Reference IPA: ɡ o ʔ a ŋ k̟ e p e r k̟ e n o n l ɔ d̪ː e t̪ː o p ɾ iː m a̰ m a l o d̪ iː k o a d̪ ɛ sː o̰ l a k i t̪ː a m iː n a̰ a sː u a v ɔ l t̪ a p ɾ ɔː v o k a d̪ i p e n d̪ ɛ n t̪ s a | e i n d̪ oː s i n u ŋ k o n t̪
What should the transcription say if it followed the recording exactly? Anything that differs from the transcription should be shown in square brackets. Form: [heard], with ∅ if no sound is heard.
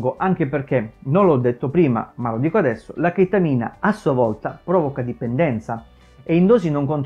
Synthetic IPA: ɡ o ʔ a ŋ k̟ e p e r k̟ e n o n l ɔ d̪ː e t̪ː o p ɾ iː m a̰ m a l o d̪ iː k o a d̪ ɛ sː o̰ l a k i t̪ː a m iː n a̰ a sː u a v ɔ l t̪ a p ɾ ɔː v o k a d̪ i p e n d̪ ɛ n t̪ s a | e i n d̪ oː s i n [o] ŋ k o n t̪